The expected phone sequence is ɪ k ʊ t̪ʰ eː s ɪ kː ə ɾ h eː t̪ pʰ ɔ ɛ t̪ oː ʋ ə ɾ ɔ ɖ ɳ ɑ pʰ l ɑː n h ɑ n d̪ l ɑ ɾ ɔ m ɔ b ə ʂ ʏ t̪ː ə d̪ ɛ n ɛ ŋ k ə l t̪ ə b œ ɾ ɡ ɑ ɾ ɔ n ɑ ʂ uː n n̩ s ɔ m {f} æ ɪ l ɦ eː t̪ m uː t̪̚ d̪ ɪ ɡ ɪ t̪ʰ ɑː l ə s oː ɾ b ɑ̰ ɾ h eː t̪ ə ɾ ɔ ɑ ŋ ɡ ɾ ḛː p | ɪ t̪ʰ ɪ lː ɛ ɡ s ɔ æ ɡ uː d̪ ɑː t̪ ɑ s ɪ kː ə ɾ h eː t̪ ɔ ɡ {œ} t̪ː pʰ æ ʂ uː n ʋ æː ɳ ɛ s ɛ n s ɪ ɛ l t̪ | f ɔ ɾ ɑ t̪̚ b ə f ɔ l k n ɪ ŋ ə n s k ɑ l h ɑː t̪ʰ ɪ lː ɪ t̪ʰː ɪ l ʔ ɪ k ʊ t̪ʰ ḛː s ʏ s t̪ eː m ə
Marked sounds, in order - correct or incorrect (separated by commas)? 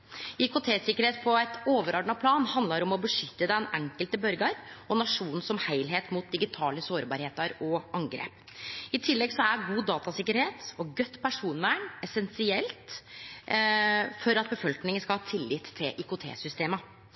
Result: incorrect, correct